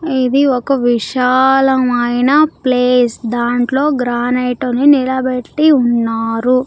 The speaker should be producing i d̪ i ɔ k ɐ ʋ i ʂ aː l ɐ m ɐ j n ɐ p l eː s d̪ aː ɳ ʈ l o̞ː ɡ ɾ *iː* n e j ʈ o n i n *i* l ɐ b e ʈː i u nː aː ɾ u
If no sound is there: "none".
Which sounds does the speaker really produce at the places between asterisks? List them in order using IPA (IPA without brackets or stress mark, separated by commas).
aː, i